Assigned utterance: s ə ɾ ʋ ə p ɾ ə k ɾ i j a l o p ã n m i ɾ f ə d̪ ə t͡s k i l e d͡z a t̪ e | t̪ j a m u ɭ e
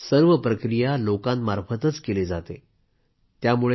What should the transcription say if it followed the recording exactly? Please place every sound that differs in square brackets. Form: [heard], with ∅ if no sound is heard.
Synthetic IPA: s ə ɾ ʋ ə p ɾ ə k ɾ i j a l o [k] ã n m [a] ɾ f ə [t̪] ə t͡s k [e] l e d͡z a t̪ e | t̪ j a m u ɭ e